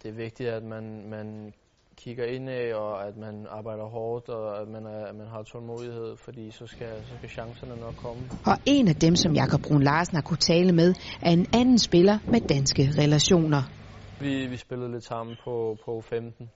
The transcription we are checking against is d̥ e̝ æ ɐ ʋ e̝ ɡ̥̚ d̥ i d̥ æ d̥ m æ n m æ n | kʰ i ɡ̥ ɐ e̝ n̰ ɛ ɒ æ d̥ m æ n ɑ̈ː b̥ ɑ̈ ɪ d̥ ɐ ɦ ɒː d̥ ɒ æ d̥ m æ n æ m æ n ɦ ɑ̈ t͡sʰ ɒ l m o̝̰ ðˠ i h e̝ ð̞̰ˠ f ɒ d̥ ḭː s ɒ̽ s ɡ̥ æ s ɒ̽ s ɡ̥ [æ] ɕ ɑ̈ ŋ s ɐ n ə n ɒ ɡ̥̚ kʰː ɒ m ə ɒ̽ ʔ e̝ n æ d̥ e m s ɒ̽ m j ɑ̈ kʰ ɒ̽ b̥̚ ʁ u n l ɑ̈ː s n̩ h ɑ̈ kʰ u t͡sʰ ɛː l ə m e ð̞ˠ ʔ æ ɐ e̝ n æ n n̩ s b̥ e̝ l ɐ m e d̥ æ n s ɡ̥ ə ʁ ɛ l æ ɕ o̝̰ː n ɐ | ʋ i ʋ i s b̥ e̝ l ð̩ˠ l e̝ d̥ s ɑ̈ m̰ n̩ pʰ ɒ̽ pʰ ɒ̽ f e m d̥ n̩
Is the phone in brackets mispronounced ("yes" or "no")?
no